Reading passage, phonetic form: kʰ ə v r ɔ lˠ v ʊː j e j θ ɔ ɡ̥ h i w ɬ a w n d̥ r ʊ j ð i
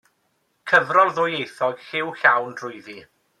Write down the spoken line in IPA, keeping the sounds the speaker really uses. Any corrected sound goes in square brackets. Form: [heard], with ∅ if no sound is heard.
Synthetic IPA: kʰ ə v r ɔ lˠ [ð] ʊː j e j θ ɔ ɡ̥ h [ɪ] w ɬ a w n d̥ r ʊ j ð i